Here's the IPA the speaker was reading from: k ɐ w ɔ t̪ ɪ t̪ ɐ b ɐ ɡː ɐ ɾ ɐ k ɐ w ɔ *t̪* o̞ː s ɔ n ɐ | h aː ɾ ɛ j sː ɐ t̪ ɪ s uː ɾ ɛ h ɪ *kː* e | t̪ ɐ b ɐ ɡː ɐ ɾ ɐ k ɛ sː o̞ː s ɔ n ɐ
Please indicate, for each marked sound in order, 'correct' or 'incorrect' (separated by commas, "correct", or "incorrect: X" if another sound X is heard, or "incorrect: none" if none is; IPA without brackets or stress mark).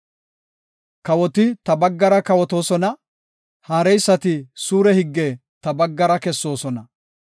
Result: correct, incorrect: ɡː